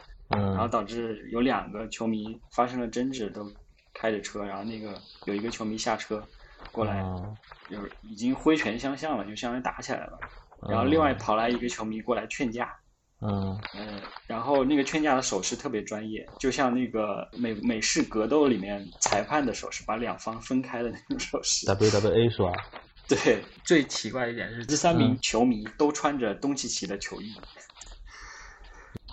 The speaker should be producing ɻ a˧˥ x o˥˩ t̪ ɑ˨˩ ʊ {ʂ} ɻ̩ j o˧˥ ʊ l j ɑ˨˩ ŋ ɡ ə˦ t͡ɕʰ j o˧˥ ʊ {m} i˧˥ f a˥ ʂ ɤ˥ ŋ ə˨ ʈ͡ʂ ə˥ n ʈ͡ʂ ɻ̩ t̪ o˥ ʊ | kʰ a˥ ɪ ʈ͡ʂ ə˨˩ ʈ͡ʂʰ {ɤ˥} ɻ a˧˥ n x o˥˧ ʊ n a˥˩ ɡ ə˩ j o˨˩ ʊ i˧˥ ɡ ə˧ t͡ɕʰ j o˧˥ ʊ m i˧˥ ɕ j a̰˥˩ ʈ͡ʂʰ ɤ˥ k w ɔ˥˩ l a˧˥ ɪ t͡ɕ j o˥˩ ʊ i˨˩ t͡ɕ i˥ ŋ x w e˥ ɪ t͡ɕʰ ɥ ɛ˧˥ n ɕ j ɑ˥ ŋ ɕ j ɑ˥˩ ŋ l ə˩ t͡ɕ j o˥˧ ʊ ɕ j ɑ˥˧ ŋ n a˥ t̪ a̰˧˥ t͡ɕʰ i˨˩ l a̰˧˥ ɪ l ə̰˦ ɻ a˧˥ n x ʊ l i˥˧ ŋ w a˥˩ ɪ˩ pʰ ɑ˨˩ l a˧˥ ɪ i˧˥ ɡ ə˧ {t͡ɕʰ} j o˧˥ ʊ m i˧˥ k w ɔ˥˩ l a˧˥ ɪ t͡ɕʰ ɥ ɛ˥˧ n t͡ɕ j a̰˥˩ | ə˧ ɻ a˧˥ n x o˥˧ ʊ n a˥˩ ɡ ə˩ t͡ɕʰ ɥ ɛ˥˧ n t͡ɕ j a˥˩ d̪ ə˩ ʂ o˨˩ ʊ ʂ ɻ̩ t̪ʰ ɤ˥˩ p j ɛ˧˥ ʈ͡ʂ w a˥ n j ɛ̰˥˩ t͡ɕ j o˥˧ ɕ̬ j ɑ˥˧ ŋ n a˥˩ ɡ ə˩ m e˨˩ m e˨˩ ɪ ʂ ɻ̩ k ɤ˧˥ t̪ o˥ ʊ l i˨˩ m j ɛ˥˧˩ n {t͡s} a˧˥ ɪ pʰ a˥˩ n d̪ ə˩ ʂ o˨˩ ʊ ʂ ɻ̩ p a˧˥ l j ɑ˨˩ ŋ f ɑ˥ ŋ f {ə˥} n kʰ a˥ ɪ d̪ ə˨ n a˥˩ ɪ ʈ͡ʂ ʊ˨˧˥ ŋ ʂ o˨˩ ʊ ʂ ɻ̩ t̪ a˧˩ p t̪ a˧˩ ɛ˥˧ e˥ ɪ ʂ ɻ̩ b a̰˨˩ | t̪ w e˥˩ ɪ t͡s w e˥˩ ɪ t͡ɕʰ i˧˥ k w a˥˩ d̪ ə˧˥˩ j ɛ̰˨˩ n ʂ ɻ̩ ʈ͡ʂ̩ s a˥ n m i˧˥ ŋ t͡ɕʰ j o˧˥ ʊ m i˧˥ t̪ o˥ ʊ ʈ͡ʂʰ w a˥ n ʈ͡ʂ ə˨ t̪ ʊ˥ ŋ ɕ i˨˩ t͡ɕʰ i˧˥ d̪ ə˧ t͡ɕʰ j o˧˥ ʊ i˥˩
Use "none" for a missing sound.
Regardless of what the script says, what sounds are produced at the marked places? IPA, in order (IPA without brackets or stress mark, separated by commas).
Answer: ʈ͡ʂ, m, ɤ˥, t͡ɕʰ, t͡sʰ, ə˥